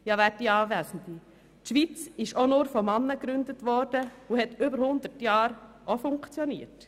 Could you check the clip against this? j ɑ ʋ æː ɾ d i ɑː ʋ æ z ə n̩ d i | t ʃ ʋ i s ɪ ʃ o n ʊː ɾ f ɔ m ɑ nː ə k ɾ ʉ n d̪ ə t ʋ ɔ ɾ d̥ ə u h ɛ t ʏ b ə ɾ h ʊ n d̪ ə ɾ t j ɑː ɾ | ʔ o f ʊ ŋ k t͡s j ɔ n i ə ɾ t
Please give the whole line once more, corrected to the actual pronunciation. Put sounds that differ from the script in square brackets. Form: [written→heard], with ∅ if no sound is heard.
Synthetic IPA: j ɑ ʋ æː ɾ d i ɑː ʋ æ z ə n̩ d i | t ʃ ʋ i [s→t͡s] ɪ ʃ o n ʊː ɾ f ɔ m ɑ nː ə k ɾ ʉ n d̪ ə t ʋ ɔ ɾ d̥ ə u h ɛ t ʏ b ə ɾ h ʊ n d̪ ə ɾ t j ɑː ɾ | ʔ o f ʊ ŋ k t͡s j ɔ n i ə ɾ t